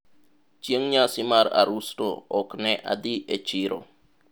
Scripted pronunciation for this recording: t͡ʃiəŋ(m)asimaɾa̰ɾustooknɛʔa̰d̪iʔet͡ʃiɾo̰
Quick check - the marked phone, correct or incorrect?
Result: incorrect